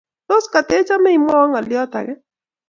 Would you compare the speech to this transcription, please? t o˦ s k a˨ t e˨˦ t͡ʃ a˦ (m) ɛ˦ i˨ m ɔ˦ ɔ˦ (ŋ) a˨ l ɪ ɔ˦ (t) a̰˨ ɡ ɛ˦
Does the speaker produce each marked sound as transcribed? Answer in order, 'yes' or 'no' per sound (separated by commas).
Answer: yes, yes, yes